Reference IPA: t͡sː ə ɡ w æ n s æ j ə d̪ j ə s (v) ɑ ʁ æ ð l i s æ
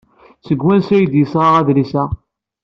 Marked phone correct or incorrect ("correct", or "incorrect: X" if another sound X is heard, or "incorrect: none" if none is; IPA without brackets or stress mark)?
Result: incorrect: ʁ